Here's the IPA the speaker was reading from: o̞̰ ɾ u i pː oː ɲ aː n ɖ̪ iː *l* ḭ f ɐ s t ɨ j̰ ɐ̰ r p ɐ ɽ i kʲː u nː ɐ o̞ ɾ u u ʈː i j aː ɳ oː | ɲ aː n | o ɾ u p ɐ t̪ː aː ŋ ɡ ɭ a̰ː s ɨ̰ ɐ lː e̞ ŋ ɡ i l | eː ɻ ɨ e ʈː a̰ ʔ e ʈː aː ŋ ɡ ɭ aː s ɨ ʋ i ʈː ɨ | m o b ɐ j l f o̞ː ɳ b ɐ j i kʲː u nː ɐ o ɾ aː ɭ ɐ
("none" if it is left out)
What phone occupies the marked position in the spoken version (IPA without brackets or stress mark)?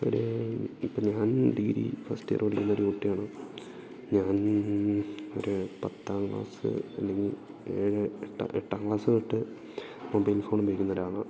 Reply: ɾ